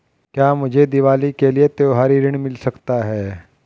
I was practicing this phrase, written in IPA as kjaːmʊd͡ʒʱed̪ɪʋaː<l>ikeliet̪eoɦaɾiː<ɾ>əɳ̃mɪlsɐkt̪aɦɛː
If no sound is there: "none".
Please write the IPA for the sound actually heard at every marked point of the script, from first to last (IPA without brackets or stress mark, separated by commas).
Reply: l, ɾ